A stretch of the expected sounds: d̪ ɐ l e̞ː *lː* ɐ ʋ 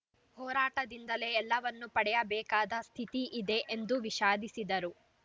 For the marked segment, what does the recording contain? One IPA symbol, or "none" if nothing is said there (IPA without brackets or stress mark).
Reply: lː